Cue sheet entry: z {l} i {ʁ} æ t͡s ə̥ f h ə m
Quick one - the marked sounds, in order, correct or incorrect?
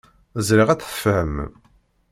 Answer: incorrect: ɾ, correct

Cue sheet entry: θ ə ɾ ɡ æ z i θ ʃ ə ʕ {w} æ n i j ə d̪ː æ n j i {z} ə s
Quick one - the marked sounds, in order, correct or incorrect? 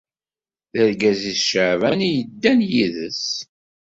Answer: incorrect: v, incorrect: ð

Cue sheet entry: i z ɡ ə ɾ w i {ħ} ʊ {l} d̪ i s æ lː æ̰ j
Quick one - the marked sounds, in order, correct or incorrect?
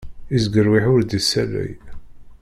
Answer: correct, incorrect: ɾ

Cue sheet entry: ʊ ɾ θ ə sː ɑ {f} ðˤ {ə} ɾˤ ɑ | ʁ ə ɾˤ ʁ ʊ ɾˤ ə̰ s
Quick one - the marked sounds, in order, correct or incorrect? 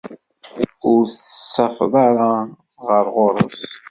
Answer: correct, incorrect: ɑ

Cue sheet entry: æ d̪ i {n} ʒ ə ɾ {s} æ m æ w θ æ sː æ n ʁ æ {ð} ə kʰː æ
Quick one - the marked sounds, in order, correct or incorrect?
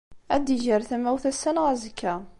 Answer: incorrect: none, incorrect: θ, incorrect: z

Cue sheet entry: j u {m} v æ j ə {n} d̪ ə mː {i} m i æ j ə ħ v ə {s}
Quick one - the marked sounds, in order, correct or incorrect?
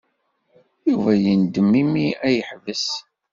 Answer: incorrect: none, correct, correct, correct

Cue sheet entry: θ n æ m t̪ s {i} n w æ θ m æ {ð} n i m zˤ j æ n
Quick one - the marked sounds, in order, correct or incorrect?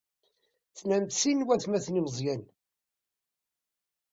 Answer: correct, incorrect: θ

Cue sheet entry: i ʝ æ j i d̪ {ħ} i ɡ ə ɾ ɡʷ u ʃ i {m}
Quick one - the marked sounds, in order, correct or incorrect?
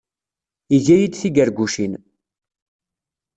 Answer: incorrect: θ, incorrect: n

